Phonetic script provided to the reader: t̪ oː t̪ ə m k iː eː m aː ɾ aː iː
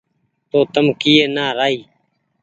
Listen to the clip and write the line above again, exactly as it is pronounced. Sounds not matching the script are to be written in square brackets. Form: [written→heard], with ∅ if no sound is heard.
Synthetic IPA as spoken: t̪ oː t̪ ə m k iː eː [m→n] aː ɾ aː iː

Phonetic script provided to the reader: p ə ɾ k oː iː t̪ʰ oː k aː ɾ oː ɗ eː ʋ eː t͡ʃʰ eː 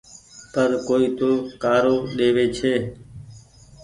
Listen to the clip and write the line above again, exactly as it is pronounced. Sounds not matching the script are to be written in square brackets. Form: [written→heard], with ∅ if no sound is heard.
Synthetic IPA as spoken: p ə ɾ k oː iː [t̪ʰ→t̪] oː k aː ɾ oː ɗ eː ʋ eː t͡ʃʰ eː

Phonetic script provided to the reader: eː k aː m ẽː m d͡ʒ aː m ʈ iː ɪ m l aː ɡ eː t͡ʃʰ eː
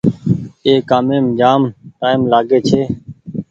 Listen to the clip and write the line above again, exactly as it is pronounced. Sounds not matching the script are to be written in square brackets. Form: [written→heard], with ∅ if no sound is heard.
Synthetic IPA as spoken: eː k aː m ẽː m d͡ʒ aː m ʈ [iː→aː] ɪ m l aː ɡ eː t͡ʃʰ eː

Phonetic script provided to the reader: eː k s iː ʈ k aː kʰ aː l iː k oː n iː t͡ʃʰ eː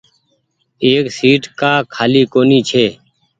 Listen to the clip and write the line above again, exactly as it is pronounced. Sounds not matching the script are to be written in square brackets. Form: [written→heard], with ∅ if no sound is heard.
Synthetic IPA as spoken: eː k s iː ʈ k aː kʰ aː l iː k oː n iː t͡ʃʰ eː

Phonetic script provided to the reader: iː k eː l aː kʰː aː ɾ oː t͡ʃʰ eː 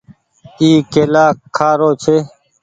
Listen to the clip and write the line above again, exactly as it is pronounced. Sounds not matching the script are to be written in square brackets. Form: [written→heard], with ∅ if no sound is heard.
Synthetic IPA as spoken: iː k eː l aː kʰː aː ɾ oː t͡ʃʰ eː

